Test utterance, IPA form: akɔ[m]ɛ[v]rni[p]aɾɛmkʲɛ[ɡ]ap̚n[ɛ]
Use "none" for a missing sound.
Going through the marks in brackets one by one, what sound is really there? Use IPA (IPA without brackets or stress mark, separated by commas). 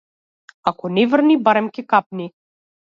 n, v, b, k, i